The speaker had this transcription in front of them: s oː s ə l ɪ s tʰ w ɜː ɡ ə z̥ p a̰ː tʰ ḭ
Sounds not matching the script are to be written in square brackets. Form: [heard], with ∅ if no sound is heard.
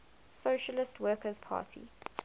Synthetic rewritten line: s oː [ʃ] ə l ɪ s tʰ w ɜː [k] ə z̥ [pʰ] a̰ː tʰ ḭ